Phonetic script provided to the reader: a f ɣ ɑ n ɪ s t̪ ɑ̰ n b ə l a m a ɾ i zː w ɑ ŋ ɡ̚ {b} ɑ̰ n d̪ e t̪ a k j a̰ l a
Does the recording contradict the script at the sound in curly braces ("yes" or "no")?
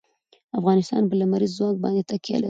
no